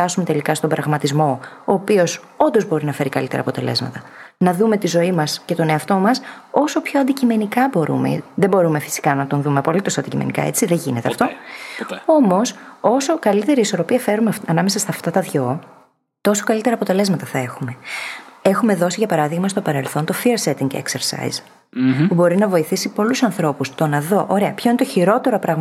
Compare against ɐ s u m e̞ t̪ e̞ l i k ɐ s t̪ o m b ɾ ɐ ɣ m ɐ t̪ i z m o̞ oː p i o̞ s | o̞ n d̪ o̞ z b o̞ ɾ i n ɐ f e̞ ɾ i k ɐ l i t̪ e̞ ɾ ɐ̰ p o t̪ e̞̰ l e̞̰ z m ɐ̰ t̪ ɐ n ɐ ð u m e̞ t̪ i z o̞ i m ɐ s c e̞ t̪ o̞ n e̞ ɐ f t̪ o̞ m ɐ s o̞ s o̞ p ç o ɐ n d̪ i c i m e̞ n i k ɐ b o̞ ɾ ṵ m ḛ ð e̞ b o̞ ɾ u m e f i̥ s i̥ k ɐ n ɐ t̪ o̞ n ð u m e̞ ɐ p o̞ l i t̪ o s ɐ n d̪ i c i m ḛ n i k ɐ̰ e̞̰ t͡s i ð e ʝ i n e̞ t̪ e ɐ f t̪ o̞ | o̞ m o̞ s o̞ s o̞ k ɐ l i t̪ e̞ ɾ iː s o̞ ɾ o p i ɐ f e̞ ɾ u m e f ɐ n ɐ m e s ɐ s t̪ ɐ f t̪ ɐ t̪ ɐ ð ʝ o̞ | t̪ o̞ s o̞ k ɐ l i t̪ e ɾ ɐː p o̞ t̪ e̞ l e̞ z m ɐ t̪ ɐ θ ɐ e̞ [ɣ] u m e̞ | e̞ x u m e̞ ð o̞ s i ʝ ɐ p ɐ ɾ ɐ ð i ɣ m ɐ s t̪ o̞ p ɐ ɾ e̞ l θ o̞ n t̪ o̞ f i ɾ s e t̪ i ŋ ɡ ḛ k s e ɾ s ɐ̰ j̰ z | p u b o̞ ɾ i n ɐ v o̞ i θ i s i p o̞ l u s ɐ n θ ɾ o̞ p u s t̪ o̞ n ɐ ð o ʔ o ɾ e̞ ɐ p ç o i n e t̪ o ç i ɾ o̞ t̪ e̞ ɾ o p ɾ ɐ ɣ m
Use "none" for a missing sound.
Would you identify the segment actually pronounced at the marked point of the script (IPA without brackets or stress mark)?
x